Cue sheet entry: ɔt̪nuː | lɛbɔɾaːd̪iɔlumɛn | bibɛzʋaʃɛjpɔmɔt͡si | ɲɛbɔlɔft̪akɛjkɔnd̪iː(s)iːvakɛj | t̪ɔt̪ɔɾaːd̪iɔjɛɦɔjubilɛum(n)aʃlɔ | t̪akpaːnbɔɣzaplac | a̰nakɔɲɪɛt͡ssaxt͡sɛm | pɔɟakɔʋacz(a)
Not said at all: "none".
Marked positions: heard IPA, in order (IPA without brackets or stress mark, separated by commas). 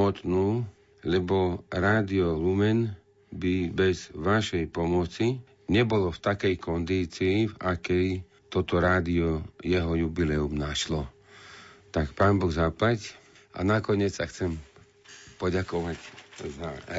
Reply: t͡s, n, a